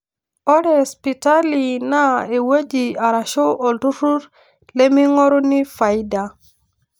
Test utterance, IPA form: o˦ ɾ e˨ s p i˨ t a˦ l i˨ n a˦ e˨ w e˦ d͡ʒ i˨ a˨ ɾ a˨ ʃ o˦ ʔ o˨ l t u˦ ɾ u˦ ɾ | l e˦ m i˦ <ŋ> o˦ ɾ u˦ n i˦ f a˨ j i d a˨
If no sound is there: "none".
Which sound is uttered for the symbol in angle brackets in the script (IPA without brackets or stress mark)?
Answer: ŋ